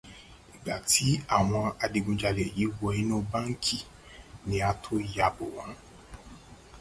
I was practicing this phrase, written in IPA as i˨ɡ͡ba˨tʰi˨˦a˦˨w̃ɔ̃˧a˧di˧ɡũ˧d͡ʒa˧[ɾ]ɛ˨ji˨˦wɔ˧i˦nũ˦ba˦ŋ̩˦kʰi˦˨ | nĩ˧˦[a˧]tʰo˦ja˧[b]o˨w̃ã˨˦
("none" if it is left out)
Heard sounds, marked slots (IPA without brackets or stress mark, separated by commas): l, a˧, b